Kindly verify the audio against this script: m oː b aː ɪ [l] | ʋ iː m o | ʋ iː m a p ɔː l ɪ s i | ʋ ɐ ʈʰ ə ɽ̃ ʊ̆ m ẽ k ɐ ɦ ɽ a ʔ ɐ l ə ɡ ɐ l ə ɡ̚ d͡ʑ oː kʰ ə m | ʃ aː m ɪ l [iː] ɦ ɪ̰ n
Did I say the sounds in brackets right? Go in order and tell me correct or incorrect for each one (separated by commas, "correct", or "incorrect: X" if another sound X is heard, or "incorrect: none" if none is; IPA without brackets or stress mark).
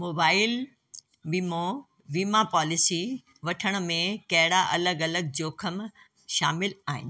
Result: correct, incorrect: aː